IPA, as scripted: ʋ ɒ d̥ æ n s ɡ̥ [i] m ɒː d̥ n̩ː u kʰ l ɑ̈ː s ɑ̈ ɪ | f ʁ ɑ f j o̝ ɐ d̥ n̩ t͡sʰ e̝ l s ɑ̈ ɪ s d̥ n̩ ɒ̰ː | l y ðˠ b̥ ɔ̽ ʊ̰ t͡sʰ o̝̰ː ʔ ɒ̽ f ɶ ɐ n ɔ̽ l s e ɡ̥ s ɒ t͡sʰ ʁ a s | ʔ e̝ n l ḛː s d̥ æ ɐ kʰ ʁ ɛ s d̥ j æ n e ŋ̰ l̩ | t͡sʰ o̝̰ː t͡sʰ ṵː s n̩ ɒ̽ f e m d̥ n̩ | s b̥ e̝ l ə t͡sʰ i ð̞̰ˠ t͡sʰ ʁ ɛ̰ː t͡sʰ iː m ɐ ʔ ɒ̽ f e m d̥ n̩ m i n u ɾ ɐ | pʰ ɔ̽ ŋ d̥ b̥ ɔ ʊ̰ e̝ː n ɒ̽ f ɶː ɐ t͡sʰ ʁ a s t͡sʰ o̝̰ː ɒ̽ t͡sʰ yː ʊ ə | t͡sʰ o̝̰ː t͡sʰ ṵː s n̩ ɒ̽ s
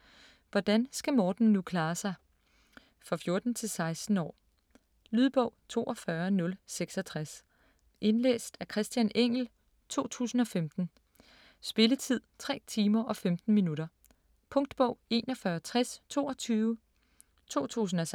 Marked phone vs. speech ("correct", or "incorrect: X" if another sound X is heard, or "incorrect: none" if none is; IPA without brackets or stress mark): incorrect: æ